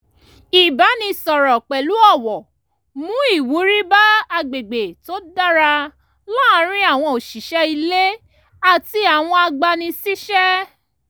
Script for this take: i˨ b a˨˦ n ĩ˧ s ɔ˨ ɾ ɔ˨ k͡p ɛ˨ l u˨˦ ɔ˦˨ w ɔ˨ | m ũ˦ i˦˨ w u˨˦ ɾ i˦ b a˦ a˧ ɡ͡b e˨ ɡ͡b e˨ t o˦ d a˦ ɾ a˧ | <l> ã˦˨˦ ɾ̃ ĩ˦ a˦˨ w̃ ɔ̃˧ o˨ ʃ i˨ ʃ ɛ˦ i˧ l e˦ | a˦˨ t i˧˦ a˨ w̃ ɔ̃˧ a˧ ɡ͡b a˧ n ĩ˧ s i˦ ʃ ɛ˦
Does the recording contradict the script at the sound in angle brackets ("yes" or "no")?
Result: no